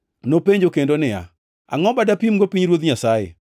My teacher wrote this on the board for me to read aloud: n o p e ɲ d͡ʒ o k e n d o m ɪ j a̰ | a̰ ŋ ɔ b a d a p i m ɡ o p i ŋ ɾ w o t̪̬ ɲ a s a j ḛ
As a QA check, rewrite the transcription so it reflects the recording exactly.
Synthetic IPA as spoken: n o p e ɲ d͡ʒ o k e n d o n ɪ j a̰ | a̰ ŋ ɔ b a d a p i m ɡ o p i ɲ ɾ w o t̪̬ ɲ a s a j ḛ

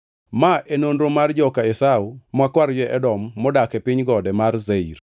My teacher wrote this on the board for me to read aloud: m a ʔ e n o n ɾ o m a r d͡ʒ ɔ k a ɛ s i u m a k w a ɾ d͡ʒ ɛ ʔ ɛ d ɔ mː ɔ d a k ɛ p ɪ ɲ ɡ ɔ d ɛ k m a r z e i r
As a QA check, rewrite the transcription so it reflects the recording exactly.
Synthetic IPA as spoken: m a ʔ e n o n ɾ o m a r d͡ʒ ɔ k a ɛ s a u m a k w a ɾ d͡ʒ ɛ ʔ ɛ d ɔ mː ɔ d a k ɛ p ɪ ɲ ɡ ɔ d ɛ m a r z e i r

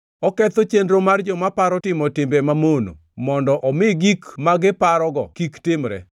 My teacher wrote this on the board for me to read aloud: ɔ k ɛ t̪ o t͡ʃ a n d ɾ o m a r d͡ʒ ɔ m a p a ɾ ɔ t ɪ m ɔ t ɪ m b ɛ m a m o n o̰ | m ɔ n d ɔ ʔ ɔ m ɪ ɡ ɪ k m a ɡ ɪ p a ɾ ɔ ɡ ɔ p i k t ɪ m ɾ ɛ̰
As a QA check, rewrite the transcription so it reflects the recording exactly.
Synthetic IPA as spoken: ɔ k ɛ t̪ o t͡ʃ e n d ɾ o m a r d͡ʒ ɔ m a p a ɾ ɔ t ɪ m ɔ t ɪ m b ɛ m a m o n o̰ | m ɔ n d ɔ ʔ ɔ m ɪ ɡ i k m a ɡ ɪ p a ɾ ɔ ɡ ɔ k i k t ɪ m ɾ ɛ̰

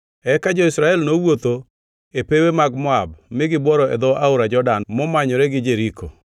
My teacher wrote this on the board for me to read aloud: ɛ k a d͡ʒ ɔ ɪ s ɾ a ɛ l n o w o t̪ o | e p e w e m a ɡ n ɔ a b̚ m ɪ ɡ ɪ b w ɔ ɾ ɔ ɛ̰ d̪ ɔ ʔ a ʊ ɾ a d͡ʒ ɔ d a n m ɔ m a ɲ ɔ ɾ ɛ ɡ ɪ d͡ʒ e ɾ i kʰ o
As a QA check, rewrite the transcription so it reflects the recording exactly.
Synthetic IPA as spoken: ɛ k a d͡ʒ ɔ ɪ s ɾ a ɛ l n o w o t̪ o | e p e w e m a ɡ m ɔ a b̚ m ɪ ɡ ɪ b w ɔ ɾ ɔ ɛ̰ d̪ ɔ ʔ a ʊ ɾ a d͡ʒ ɔ d a n m ɔ m a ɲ ɔ ɾ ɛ ɡ ɪ d͡ʒ e ɾ i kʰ o

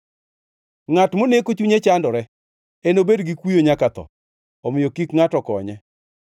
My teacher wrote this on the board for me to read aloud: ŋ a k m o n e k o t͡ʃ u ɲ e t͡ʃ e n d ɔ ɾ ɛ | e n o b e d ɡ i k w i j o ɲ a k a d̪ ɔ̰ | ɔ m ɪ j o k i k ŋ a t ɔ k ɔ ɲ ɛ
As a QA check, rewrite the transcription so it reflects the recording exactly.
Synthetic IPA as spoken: ŋ a t m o n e k o t͡ʃ u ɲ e t͡ʃ a n d ɔ ɾ ɛ | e n o b e d ɡ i k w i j o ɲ a k a t̪ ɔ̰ | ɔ m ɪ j o k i k ŋ a t ɔ k ɔ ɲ ɛ

